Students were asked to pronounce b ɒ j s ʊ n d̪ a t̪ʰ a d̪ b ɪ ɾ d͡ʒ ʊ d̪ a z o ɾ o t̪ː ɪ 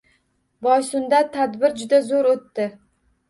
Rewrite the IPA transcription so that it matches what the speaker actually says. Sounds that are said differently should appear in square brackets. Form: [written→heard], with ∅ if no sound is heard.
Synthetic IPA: b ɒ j s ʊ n d̪ a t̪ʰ a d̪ b ɪ ɾ d͡ʒ ʊ d̪ a z o ɾ o t̪ː ɪ